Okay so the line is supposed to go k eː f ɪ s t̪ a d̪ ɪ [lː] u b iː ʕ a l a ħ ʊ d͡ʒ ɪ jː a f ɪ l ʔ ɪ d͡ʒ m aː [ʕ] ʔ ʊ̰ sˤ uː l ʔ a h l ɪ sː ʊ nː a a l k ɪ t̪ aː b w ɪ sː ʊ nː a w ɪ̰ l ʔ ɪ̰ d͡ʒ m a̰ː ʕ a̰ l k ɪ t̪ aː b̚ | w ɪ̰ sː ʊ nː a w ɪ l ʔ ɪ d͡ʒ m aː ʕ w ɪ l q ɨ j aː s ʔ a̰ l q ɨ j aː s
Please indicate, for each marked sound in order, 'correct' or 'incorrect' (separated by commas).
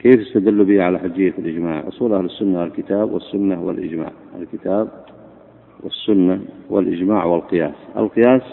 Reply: correct, correct